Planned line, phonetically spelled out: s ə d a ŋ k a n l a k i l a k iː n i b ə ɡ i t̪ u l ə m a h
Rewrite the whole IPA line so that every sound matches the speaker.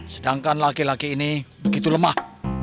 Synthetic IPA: s ə d a ŋ k a n l a k i l a k iː n i b ə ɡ i t̪ u l ə m a h